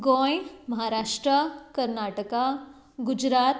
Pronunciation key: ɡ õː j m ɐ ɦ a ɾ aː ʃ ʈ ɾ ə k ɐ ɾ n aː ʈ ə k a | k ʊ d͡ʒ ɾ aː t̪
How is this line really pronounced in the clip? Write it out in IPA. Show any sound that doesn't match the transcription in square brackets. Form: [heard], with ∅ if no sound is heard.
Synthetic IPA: ɡ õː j m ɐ ɦ a ɾ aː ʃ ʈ ɾ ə k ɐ ɾ n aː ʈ ə k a | [ɡ] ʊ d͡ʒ ɾ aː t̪

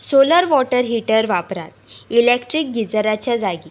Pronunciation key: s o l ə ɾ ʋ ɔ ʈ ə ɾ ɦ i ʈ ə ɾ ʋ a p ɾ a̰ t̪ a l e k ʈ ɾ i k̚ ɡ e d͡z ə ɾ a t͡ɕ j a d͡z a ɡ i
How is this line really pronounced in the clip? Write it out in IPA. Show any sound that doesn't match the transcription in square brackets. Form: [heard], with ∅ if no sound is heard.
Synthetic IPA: s o l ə ɾ ʋ ɔ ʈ ə ɾ ɦ i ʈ ə ɾ ʋ a p ɾ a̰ t̪ [i] l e k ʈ ɾ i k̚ ɡ [i] d͡z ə ɾ a t͡ɕ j a d͡z a ɡ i

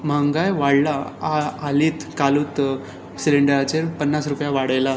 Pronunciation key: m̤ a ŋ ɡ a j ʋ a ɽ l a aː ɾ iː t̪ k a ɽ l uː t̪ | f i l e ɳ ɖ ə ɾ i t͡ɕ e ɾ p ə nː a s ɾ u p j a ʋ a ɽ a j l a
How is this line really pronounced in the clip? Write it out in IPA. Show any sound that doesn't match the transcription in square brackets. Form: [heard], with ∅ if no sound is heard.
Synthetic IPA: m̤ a ŋ ɡ a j ʋ a ɽ l a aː [l] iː t̪ k a [∅] l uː t̪ | [s] i l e ɳ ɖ ə ɾ [a] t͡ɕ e ɾ p ə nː a s ɾ u p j a ʋ a ɽ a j l a

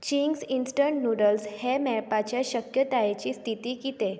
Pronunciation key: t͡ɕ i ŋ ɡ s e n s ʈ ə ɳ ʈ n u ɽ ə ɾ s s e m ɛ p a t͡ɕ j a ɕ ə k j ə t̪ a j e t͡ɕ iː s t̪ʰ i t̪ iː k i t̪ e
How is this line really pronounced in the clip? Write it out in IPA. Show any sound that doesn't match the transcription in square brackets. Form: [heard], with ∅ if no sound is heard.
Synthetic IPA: t͡ɕ i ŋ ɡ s [i] n s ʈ ə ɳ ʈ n u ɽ ə [l] s [h] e m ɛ p a t͡ɕ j a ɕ ə k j ə t̪ a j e t͡ɕ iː s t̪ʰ i t̪ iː k i t̪ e

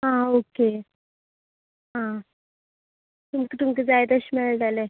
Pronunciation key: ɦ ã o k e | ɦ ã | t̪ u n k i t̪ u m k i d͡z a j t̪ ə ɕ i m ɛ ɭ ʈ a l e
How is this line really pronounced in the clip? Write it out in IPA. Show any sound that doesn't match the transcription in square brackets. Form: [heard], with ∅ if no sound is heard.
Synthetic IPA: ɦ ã o k e | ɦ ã | t̪ u [m] k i t̪ u m k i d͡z a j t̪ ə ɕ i m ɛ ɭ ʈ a l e

